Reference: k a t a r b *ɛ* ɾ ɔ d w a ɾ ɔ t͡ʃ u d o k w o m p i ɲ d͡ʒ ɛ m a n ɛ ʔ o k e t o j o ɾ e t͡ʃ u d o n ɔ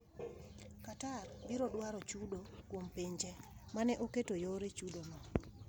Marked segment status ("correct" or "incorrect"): incorrect